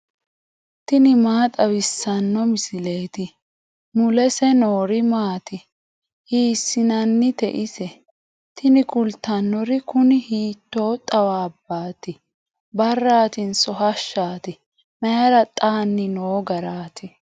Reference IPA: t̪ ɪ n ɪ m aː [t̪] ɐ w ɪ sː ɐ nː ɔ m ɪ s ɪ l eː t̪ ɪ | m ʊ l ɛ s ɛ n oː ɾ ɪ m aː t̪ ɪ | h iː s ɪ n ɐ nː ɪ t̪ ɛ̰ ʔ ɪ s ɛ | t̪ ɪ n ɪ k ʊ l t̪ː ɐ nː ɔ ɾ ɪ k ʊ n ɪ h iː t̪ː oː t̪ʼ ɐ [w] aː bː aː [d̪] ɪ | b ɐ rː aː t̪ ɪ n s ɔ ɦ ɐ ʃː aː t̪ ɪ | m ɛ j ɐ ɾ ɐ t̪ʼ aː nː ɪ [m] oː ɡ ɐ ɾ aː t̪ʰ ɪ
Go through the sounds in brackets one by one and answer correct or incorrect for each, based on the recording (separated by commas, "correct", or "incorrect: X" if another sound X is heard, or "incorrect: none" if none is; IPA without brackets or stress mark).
incorrect: t̪ʼ, correct, incorrect: t̪, incorrect: n